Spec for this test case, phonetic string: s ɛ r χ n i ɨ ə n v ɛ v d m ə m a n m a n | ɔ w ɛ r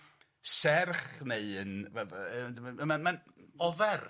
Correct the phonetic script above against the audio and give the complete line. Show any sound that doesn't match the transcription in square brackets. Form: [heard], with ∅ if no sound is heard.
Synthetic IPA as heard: s ɛ r χ n [e] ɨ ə n v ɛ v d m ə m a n m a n | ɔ [v] ɛ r